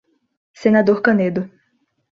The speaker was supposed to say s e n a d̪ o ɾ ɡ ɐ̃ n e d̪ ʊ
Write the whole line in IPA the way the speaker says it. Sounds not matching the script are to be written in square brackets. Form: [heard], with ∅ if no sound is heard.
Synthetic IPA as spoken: s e n a d̪ o ɾ [k] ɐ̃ n e d̪ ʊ